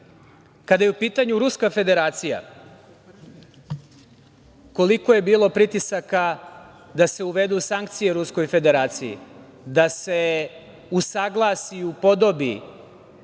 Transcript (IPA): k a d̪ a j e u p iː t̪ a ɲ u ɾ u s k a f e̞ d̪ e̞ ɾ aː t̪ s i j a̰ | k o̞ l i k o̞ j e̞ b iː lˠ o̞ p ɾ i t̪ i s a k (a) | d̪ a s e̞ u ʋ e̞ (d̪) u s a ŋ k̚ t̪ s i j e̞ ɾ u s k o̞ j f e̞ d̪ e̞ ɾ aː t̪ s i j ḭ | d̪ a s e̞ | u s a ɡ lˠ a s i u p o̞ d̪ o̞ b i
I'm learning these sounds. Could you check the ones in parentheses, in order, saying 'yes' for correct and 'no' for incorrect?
yes, yes

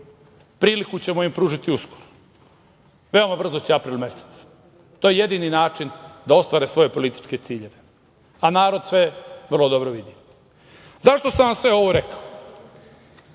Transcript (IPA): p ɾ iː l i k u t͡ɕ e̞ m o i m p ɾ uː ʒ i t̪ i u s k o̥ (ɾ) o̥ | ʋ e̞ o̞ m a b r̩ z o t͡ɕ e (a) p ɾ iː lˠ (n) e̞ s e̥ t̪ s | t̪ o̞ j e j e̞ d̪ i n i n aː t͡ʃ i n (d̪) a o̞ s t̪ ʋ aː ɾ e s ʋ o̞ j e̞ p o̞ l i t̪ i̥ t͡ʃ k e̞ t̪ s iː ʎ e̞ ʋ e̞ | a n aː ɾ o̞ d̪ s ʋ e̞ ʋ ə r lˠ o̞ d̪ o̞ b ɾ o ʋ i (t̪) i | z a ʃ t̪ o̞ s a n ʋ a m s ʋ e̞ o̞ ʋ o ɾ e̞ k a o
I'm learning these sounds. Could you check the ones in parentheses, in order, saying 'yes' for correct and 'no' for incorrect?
yes, yes, no, yes, no

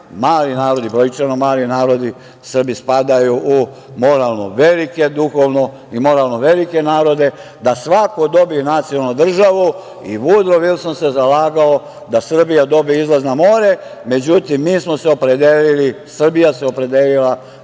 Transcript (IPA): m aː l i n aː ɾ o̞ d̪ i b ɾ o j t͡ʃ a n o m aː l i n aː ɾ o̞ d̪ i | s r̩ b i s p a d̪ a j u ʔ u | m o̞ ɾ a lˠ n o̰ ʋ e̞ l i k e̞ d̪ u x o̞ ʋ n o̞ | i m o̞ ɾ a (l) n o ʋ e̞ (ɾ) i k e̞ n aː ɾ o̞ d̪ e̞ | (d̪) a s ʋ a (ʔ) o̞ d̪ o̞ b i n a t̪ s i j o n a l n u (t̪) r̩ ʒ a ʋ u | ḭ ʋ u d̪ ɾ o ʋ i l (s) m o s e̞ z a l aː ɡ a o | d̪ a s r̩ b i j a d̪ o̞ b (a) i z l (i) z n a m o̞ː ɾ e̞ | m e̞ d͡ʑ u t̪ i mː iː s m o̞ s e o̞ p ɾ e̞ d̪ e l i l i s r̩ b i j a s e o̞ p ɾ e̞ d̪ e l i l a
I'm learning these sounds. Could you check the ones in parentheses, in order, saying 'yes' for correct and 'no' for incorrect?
yes, no, yes, no, no, yes, no, no

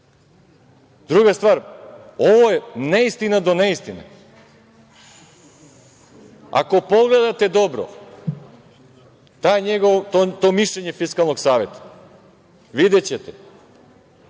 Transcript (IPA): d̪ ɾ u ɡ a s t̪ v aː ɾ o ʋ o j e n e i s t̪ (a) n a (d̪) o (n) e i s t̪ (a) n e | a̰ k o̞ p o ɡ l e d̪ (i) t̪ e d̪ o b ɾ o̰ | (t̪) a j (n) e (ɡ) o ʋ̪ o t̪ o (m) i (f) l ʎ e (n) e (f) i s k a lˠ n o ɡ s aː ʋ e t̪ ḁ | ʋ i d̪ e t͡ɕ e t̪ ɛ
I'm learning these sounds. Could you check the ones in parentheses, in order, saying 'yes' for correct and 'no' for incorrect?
no, yes, yes, no, no, yes, no, yes, yes, no, no, yes

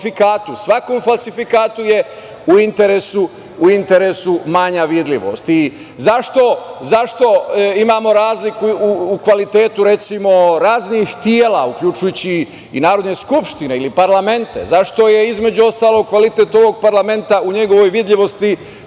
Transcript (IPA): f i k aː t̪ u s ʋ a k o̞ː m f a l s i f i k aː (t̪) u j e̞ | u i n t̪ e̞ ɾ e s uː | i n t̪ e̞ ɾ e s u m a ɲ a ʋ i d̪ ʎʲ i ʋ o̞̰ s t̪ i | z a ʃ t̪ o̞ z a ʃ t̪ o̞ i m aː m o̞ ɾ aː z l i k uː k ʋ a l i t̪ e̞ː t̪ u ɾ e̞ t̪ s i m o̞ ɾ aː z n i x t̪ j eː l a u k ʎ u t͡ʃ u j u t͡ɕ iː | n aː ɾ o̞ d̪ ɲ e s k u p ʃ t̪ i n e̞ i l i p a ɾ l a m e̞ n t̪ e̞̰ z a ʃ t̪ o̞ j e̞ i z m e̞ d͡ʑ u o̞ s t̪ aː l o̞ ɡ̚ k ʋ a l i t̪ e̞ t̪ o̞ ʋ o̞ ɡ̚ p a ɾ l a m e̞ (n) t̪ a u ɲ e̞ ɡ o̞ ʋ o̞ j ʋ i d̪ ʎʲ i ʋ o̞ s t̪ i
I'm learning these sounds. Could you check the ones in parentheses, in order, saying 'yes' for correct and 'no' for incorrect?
yes, yes

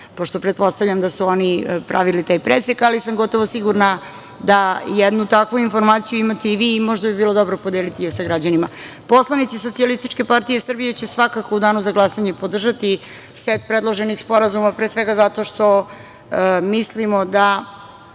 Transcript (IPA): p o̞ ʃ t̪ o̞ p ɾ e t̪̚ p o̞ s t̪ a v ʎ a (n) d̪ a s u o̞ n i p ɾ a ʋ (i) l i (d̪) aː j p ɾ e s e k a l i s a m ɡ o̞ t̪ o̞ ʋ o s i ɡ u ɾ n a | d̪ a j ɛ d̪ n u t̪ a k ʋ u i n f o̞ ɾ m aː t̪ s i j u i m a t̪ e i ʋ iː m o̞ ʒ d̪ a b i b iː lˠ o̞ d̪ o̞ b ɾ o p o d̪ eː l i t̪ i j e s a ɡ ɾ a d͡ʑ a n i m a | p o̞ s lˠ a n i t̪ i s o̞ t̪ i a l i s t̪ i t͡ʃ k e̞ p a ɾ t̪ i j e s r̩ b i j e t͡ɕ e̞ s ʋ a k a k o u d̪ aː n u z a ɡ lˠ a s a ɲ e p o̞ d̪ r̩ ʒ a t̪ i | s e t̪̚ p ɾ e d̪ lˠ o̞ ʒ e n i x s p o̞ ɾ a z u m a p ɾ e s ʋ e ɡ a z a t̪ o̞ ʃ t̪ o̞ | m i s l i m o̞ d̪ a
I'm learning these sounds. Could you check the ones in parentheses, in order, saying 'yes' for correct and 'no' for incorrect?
no, yes, no

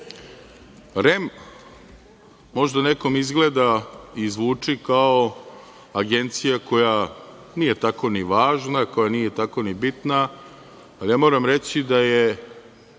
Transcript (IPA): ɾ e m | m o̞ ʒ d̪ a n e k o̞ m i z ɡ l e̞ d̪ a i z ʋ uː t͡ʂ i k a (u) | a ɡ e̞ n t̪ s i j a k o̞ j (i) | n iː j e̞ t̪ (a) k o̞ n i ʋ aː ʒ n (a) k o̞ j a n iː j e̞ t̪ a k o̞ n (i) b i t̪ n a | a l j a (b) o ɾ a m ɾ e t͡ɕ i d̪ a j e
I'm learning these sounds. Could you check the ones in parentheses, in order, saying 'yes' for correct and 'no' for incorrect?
no, no, yes, yes, yes, no

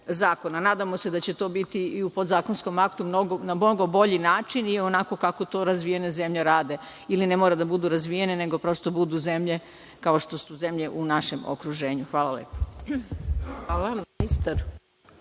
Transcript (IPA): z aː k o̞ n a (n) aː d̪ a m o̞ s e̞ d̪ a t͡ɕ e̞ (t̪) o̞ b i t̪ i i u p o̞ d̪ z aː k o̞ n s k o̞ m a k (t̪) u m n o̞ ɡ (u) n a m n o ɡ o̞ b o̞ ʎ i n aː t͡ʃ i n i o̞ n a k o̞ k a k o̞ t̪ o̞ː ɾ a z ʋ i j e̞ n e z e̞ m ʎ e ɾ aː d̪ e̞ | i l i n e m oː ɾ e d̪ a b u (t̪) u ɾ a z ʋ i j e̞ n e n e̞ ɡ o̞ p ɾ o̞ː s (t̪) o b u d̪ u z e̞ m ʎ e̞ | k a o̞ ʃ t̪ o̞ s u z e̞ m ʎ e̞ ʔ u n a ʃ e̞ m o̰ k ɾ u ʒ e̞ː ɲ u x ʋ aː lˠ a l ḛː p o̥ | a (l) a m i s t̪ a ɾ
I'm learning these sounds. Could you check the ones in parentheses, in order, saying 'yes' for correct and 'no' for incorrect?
yes, yes, yes, no, no, yes, yes

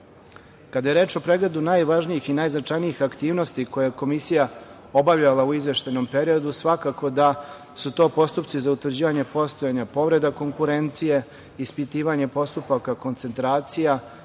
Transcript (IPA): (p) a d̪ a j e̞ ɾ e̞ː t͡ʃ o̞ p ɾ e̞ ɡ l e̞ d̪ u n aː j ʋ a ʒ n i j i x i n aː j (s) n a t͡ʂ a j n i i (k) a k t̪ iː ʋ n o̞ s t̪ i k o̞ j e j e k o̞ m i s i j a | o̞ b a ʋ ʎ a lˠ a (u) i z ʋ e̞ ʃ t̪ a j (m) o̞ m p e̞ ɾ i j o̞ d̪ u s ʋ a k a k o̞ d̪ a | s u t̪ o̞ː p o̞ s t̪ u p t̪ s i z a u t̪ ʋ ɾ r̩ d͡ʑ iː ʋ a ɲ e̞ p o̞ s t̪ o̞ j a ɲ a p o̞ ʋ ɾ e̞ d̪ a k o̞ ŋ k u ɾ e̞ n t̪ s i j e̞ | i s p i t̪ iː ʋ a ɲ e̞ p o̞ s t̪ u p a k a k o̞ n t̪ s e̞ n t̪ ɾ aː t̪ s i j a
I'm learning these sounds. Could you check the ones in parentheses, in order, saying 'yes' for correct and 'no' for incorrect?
no, no, no, yes, no

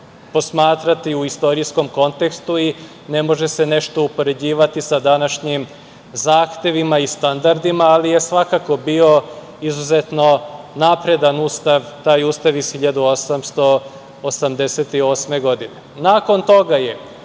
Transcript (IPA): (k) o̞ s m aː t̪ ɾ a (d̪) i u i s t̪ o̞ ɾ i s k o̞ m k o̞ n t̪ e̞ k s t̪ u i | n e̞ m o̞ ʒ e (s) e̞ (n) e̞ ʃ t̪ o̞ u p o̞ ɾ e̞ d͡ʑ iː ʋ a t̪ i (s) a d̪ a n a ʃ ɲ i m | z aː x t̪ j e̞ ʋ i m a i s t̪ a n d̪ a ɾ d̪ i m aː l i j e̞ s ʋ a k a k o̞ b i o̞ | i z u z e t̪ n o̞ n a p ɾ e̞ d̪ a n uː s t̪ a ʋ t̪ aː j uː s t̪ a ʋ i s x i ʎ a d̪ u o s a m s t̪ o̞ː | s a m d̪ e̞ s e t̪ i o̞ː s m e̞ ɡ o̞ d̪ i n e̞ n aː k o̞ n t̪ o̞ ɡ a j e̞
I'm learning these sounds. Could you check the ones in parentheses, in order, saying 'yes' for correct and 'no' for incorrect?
no, no, yes, yes, yes

